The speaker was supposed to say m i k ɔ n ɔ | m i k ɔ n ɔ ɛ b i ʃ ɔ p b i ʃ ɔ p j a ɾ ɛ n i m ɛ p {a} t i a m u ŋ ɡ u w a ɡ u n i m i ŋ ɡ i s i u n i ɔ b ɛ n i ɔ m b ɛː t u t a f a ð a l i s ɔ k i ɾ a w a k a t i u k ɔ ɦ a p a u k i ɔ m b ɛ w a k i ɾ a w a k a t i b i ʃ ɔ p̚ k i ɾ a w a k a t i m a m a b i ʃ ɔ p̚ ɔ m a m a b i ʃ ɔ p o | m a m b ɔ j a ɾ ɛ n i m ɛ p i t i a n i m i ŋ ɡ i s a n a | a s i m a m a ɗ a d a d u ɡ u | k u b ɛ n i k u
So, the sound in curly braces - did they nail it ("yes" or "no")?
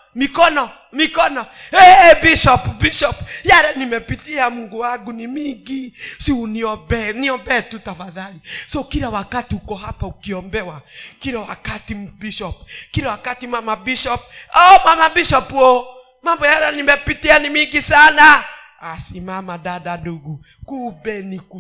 no